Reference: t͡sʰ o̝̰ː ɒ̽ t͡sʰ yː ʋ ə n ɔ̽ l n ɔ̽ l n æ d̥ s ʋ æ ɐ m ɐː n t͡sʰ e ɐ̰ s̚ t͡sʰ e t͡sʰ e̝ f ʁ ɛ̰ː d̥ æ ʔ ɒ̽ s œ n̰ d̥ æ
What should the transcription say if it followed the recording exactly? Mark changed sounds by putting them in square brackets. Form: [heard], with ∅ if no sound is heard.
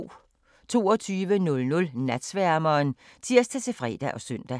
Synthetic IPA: t͡sʰ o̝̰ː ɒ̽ t͡sʰ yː ʋ ə n ɔ̽ l n ɔ̽ l n æ d̥ s ʋ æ ɐ m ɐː n t͡sʰ [i] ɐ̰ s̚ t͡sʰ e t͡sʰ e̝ f ʁ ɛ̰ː d̥ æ ʔ ɒ̽ s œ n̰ d̥ æ